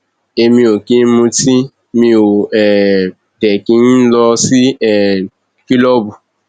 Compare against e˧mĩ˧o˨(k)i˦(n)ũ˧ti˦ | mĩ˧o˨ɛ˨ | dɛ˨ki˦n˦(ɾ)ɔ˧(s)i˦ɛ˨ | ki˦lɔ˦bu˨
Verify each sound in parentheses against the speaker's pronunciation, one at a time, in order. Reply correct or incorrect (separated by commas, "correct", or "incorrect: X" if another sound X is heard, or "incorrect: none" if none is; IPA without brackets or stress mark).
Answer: correct, incorrect: m, incorrect: l, correct